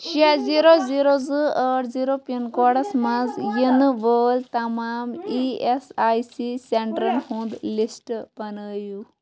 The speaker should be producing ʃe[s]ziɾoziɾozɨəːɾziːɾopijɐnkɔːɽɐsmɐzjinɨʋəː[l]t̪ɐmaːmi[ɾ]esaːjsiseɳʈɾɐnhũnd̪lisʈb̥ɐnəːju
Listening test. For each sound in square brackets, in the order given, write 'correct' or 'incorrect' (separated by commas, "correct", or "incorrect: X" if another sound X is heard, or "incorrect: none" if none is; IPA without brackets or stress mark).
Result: incorrect: none, correct, incorrect: none